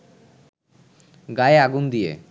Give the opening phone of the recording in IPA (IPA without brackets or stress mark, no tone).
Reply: ɡ